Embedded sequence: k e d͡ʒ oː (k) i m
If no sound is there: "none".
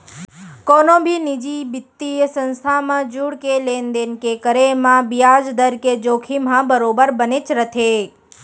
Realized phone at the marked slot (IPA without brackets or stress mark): kʰ